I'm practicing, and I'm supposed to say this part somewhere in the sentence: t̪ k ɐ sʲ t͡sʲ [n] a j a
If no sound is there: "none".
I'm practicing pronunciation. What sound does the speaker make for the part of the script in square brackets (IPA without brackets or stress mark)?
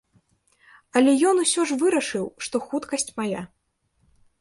m